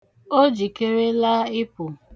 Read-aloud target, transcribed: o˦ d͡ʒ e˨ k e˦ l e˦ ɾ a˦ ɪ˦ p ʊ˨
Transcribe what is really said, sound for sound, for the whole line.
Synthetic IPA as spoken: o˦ d͡ʒ i˨ k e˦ ɾ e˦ l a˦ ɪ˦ p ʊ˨

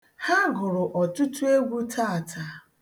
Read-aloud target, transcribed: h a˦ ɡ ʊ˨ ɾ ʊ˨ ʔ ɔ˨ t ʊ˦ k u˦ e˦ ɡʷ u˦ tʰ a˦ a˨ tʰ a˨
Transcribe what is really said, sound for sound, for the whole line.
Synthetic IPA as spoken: h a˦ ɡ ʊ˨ ɾ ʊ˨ ʔ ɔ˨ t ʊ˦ t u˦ e˦ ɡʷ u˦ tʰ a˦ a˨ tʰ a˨

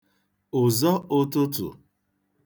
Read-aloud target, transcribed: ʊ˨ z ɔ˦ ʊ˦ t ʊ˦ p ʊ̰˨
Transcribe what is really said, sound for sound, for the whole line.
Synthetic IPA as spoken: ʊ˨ z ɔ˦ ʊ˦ t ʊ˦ t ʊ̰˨

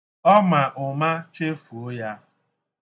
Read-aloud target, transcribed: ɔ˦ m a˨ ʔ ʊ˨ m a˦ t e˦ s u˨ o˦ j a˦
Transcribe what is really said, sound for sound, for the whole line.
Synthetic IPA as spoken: ɔ˦ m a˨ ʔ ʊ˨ m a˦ t͡ʃ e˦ f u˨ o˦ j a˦

